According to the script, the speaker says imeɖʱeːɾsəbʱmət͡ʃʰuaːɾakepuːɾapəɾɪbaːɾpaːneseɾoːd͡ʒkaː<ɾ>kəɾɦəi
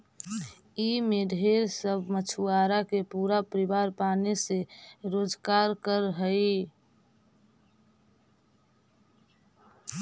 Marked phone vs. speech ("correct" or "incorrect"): correct